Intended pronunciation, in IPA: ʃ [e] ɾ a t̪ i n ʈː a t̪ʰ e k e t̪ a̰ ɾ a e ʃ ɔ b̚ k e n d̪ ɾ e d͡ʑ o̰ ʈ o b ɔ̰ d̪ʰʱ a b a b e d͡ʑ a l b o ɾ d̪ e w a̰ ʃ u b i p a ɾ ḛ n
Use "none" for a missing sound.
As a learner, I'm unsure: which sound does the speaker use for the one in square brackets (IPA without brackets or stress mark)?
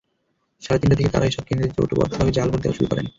a